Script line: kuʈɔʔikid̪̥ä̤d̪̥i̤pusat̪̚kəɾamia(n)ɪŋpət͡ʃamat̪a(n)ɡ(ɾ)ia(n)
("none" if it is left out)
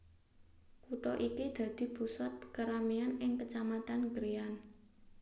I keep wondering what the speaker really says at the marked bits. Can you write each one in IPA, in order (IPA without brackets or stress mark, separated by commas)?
n, n, ɾ, n